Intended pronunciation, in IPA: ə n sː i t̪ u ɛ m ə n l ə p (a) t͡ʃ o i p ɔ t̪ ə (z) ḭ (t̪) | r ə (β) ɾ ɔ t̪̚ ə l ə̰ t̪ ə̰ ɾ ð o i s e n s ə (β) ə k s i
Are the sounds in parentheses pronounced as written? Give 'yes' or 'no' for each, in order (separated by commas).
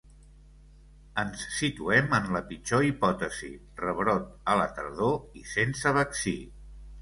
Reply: no, yes, no, yes, yes